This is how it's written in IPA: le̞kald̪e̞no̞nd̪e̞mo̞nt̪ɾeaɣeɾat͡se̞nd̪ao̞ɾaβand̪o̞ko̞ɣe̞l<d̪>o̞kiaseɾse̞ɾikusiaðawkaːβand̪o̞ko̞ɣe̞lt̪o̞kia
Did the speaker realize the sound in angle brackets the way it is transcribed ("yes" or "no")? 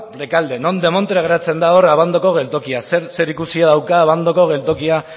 no